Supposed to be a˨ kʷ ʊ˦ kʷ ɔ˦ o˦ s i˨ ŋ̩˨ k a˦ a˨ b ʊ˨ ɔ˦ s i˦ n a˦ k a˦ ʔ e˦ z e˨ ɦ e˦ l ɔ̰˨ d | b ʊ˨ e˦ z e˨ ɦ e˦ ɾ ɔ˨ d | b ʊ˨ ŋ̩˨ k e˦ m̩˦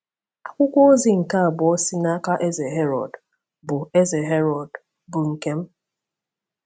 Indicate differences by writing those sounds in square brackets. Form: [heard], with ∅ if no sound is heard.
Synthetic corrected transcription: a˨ kʷ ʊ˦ kʷ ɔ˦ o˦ [z] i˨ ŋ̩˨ k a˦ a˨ b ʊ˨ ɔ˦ s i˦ n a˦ k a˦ ʔ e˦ z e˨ ɦ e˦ [ɾ] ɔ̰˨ d | b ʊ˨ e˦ z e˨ ɦ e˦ ɾ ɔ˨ d | b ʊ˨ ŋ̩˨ k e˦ m̩˦